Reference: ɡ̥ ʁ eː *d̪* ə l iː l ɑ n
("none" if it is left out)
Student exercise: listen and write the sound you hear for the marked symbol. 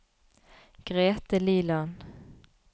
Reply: t̪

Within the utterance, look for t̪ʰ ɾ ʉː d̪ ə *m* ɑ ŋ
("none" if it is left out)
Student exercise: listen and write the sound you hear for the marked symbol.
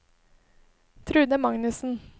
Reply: m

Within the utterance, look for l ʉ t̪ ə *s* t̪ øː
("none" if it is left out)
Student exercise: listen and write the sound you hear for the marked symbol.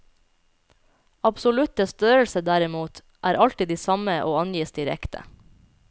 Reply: s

